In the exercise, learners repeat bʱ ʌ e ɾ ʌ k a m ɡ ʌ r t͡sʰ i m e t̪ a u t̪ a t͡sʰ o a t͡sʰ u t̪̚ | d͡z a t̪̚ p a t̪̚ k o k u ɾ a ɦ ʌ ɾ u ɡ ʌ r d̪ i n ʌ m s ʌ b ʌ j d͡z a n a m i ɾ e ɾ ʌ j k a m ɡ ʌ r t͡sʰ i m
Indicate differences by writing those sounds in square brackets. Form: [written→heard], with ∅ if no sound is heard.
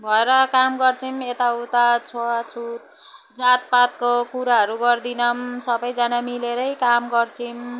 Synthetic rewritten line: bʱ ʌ e ɾ ʌ k a m ɡ ʌ r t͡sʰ i m e t̪ a u t̪ a t͡sʰ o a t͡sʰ u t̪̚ | d͡z a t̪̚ p a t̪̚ k o k u ɾ a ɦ ʌ ɾ u ɡ ʌ r d̪ i n ʌ m s ʌ b ʌ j d͡z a n a m i [ɾ→l] e ɾ ʌ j k a m ɡ ʌ r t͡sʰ i m